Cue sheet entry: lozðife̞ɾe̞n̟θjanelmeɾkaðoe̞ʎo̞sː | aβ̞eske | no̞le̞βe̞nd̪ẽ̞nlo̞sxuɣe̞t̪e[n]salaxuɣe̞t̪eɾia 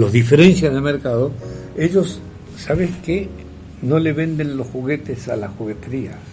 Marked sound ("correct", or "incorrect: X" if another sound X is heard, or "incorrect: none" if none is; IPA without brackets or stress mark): incorrect: none